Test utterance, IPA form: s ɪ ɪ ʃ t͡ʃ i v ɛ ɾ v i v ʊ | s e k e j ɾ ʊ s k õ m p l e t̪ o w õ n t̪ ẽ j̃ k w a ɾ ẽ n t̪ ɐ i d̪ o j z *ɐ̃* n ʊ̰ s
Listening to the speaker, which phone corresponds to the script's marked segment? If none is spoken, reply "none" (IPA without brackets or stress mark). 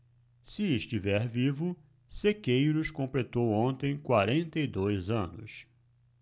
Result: ɐ̃